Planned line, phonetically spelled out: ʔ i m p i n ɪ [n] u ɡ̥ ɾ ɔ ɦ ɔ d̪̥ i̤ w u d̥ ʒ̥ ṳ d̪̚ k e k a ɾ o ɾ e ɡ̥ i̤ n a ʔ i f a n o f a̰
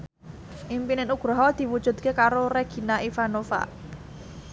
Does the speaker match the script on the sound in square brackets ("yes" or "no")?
yes